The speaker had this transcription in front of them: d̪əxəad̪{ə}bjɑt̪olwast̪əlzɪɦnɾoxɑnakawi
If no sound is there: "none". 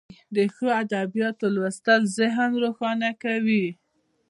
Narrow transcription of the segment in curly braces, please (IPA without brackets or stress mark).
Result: a